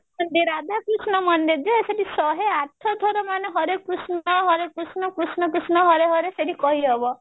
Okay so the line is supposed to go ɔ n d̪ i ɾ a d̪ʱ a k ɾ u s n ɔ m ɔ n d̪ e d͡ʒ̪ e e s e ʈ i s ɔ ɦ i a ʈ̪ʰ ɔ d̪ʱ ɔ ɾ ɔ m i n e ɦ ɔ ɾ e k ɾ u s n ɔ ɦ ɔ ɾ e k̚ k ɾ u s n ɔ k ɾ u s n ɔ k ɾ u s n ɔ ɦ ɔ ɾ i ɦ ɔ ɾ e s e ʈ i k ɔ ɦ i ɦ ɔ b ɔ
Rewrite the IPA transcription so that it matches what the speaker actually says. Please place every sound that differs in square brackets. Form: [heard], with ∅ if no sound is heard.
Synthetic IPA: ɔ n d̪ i ɾ a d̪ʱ a k ɾ u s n ɔ m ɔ n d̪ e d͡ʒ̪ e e s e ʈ i s ɔ ɦ [e] a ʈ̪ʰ ɔ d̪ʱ ɔ ɾ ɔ m [a] n e ɦ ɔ ɾ e k ɾ u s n ɔ ɦ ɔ ɾ e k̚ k ɾ u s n ɔ k ɾ u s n ɔ k ɾ u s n ɔ ɦ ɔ ɾ [e] ɦ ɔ ɾ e s e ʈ i k ɔ ɦ i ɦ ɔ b ɔ